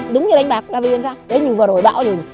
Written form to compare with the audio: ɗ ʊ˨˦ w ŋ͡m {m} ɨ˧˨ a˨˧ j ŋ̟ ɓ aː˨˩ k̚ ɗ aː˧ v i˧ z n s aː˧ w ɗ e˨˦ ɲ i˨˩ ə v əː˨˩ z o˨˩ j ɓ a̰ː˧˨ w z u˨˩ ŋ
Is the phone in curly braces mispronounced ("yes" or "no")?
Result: yes